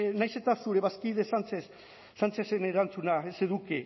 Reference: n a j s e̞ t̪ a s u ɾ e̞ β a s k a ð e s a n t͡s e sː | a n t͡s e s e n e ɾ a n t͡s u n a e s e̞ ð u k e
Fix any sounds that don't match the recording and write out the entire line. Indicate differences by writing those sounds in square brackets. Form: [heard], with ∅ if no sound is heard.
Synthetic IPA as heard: n a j s e̞ t̪ a s u ɾ e̞ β a s k [i] ð e s a n t͡s e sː | a n t͡s e s e n e ɾ a n t͡s u n a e s e̞ ð u k e